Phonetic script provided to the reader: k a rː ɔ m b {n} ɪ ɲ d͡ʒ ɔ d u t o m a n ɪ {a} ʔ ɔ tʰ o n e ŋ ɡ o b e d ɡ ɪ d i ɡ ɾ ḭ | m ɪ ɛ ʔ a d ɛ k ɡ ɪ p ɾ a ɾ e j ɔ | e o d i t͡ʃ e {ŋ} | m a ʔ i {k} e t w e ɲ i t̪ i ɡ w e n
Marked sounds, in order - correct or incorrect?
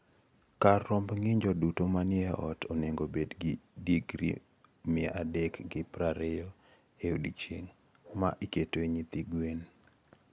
incorrect: ŋ, incorrect: ɛ, correct, correct

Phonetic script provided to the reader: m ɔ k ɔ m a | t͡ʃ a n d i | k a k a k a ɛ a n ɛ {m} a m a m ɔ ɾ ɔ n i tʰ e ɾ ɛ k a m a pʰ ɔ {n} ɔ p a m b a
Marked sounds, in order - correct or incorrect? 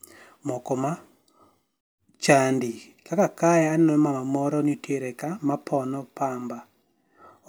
correct, correct

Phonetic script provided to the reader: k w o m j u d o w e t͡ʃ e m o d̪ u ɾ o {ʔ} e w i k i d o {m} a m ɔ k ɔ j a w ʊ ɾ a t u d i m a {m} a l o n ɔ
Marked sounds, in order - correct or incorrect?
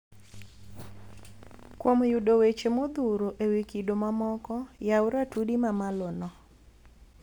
correct, correct, correct

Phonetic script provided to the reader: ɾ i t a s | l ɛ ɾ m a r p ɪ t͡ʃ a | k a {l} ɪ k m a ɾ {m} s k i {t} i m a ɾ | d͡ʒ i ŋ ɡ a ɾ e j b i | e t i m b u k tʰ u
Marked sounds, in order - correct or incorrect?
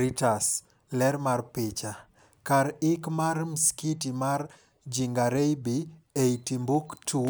incorrect: ɾ, correct, correct

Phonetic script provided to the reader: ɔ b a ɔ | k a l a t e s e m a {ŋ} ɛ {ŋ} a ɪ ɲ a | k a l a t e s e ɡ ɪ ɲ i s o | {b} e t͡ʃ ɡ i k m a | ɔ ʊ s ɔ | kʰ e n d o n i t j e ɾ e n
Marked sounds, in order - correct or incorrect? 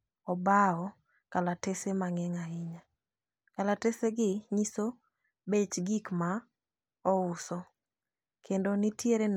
correct, correct, correct

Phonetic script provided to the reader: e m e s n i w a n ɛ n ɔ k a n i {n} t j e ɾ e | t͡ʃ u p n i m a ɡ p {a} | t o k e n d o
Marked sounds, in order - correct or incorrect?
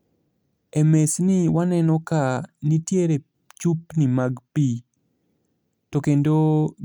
incorrect: none, incorrect: i

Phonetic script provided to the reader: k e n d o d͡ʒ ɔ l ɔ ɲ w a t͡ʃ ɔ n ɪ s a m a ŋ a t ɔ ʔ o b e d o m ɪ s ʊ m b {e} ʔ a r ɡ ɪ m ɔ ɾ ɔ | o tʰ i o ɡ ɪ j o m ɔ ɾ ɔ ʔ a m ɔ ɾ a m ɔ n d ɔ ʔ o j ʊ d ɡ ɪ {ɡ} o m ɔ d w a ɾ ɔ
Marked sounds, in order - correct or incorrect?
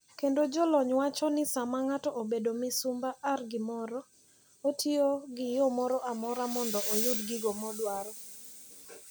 incorrect: a, correct

